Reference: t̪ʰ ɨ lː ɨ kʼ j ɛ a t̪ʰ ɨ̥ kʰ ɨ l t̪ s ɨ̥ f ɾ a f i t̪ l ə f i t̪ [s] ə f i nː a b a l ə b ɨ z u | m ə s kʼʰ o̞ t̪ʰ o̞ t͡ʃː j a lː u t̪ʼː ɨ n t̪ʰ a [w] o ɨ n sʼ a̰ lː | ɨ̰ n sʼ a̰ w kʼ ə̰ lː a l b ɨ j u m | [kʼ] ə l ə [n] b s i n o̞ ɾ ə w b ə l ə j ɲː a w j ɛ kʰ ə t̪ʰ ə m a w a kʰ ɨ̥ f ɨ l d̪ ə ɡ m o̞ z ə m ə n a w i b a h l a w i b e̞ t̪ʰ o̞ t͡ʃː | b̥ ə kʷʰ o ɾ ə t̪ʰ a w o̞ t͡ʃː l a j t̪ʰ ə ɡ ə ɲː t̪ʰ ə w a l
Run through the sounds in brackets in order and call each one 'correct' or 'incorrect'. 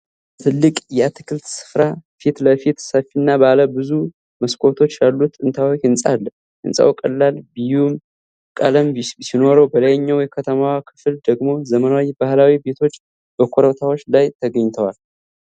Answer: correct, correct, correct, incorrect: m

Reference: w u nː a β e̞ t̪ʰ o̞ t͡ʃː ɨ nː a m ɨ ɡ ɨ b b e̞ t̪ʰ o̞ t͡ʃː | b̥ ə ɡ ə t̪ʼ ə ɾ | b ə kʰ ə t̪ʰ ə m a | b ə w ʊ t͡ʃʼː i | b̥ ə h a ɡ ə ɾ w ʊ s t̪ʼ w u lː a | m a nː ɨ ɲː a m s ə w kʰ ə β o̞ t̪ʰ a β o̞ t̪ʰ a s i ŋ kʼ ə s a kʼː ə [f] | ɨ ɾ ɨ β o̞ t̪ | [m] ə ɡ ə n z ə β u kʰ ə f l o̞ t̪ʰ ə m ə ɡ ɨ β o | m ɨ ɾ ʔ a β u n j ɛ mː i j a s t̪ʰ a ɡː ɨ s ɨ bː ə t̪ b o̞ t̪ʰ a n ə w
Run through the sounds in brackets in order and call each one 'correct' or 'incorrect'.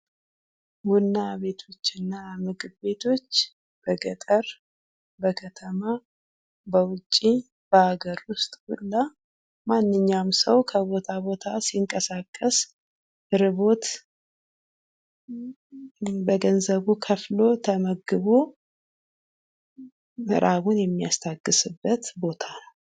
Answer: incorrect: s, incorrect: b

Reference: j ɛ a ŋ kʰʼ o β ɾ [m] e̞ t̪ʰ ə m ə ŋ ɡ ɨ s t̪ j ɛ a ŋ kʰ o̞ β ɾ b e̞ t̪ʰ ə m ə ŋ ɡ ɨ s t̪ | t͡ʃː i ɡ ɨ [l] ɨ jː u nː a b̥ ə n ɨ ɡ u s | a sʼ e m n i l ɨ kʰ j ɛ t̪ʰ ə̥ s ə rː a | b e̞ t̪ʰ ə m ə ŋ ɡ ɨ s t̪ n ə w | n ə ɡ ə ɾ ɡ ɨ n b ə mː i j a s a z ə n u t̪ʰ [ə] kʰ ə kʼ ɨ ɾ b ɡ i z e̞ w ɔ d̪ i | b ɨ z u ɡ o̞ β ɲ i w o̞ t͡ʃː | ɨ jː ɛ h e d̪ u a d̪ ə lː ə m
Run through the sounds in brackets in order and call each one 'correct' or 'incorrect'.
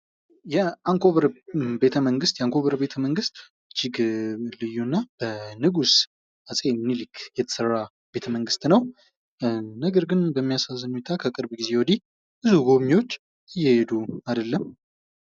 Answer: incorrect: b, correct, incorrect: a

